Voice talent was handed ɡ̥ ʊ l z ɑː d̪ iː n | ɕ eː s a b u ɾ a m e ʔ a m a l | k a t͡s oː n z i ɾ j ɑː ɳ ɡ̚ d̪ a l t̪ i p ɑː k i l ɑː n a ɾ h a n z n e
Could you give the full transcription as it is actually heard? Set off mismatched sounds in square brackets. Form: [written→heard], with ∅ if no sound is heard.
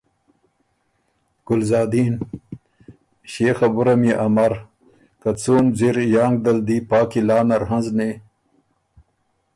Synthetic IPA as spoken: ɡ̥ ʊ l z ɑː d̪ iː n | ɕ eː [s→x] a b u ɾ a m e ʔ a m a [l→ɾ] | k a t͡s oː n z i ɾ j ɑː [ɳ→ŋ] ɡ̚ d̪ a l [t̪→d̪] i p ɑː k i l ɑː n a ɾ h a n z n e